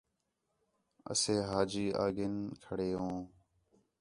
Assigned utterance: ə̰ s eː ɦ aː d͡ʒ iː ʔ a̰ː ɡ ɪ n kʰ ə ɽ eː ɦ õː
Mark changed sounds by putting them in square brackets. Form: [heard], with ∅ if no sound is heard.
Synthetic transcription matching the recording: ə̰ s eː ɦ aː d͡ʒ iː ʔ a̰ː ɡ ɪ n kʰ ə ɽ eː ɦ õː